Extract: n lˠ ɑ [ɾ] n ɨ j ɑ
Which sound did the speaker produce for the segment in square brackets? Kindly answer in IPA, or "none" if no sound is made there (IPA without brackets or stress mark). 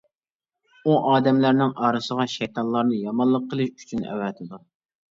ɾ